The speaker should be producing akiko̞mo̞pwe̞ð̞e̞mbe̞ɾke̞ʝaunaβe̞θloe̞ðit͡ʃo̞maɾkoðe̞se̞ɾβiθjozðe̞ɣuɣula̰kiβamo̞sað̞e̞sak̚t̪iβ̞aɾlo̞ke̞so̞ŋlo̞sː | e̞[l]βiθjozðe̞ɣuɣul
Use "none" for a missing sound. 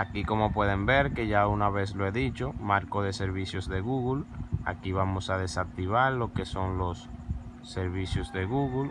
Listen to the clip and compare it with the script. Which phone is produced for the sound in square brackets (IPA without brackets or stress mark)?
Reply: ɾ